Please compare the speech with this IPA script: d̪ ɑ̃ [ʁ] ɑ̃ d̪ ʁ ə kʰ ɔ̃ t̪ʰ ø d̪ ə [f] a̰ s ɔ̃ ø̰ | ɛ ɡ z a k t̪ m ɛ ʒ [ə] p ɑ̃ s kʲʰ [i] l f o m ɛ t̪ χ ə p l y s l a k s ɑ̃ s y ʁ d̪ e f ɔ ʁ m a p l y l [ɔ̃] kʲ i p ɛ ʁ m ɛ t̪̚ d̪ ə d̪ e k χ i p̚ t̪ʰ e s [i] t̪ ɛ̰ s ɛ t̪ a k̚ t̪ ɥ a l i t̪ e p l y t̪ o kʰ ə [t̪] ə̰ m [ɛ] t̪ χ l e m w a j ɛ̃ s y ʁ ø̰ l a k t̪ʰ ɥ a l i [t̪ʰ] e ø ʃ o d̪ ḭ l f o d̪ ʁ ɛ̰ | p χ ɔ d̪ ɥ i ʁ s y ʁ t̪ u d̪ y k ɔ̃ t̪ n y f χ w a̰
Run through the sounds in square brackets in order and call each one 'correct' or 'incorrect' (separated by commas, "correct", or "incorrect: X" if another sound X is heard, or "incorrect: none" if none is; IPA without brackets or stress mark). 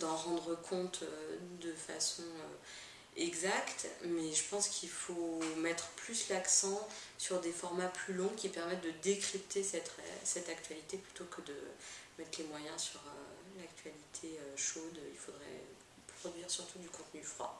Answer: correct, correct, correct, correct, correct, incorrect: ɛ, incorrect: d̪, correct, correct